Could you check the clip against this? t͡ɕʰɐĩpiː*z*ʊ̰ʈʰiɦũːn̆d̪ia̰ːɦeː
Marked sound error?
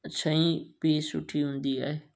yes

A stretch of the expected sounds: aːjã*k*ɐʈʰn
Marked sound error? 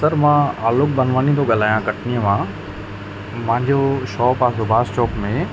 no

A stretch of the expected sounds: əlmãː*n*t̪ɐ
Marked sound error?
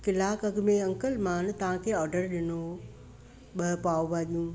no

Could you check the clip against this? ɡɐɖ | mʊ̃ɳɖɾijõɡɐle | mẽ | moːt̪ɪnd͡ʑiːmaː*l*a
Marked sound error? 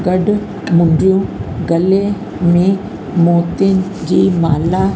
no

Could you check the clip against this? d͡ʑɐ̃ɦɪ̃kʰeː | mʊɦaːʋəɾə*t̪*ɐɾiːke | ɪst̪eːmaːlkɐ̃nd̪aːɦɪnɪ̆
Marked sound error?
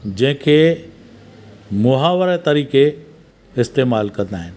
no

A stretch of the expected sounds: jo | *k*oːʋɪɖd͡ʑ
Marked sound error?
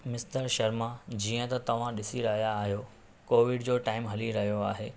no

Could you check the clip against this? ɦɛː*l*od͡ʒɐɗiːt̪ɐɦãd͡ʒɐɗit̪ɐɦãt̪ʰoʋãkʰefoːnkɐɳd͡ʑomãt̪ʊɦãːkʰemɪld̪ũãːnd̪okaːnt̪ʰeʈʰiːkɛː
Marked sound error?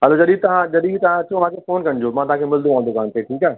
no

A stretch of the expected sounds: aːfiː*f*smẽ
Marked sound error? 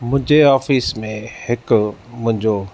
yes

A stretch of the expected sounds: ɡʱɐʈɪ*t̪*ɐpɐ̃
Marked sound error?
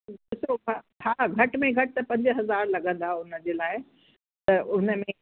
no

